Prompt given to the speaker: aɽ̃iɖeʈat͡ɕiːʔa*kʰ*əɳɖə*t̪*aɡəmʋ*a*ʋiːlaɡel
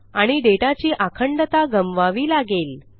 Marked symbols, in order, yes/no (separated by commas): yes, yes, yes